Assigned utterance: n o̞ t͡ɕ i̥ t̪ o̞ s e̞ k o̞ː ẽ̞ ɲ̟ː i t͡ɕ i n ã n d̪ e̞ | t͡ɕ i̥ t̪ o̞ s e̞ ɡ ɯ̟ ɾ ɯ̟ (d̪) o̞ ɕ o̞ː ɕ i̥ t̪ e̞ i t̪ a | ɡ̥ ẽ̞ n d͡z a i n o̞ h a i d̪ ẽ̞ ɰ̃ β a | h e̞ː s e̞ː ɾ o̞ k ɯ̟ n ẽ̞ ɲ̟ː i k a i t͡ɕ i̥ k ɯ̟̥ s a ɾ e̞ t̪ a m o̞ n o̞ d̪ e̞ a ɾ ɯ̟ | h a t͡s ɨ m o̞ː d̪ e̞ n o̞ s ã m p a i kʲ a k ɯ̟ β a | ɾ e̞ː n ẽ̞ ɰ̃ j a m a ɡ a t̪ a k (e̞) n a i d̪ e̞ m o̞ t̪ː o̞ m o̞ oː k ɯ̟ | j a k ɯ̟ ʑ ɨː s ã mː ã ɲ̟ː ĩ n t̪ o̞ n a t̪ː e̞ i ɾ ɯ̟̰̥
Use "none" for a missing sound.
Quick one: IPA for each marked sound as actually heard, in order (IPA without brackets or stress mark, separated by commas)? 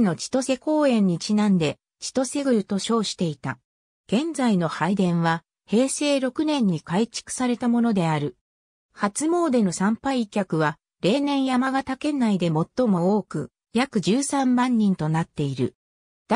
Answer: t̪, e̞